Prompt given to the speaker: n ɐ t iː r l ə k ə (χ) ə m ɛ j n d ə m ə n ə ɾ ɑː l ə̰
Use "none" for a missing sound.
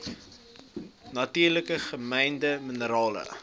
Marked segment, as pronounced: χ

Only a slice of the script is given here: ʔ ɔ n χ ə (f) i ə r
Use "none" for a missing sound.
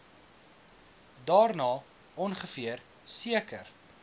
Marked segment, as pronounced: f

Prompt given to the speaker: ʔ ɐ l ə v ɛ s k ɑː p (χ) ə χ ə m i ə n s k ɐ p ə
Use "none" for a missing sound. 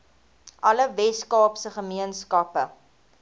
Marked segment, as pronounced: s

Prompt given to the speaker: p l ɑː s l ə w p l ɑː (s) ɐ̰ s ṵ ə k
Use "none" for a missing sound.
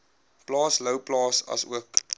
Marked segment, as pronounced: s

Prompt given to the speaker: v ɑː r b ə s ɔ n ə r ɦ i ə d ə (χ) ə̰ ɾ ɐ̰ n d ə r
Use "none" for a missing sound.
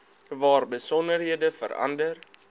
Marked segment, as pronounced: f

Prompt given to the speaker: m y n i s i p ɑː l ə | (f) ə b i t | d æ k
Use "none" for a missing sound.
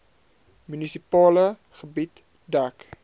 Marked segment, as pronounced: χ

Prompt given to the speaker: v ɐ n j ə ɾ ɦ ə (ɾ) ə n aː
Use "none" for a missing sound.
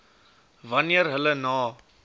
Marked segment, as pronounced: l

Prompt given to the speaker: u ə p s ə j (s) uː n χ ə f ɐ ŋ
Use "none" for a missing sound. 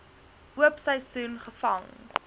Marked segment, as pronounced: s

